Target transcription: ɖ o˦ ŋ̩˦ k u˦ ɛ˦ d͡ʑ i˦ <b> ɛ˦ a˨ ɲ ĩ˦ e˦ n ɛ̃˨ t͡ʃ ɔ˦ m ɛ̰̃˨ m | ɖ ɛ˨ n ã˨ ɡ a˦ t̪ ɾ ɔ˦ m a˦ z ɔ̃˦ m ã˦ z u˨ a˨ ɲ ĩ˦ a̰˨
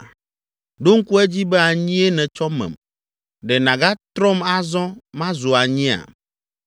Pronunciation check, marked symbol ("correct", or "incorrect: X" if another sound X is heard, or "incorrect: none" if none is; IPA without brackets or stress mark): correct